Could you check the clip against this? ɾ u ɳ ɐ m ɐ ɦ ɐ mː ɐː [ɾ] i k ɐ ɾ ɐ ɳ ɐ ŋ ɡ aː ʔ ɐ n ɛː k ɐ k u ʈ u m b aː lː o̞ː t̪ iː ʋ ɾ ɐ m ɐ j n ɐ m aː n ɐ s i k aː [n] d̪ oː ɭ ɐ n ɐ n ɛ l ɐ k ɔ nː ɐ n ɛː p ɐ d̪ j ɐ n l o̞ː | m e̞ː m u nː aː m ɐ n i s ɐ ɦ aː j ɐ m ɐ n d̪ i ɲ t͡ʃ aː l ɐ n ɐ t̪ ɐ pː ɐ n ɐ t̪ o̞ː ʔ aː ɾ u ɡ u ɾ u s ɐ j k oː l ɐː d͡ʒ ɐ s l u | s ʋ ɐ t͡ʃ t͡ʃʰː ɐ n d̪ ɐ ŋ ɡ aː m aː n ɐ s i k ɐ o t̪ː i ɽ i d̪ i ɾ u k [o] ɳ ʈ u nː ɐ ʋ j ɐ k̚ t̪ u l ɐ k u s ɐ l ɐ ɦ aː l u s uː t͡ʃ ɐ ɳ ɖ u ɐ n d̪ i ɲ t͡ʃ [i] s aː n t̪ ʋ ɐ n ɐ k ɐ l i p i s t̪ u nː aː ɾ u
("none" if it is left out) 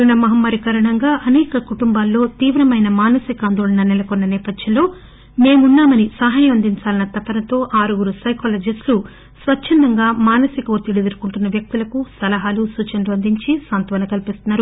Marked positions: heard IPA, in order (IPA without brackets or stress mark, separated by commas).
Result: ɾ, n, u, i